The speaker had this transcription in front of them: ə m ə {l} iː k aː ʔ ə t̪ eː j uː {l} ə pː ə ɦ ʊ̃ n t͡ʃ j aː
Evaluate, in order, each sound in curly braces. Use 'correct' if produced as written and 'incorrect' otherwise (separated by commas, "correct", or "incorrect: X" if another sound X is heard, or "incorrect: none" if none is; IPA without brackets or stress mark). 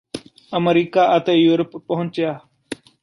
incorrect: ɾ, incorrect: ɾ